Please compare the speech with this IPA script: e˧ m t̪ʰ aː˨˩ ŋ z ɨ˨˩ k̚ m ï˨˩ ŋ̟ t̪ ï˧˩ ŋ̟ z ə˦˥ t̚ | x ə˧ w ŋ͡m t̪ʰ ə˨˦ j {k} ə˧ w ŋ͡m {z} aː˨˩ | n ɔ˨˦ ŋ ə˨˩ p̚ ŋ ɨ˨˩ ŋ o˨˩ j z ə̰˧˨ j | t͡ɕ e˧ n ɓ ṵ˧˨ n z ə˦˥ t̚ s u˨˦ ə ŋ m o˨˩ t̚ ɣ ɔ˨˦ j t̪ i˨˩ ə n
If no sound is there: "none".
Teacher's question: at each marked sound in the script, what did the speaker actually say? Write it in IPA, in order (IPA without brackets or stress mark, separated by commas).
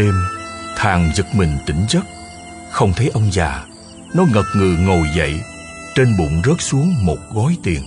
ʔ, z